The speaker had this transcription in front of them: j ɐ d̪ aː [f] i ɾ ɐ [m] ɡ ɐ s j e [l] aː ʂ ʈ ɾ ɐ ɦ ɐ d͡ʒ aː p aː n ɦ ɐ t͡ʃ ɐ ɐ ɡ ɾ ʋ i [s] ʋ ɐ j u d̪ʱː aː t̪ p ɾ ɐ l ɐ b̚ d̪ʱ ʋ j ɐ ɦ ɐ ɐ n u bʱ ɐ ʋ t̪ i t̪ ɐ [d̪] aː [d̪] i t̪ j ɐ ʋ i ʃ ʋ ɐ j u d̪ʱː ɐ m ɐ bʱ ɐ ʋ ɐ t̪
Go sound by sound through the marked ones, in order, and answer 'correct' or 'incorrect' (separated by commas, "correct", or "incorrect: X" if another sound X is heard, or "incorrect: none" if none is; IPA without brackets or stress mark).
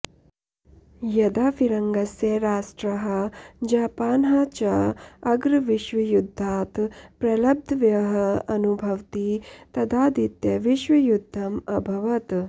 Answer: correct, incorrect: ŋ, incorrect: ɾ, incorrect: ʃ, correct, correct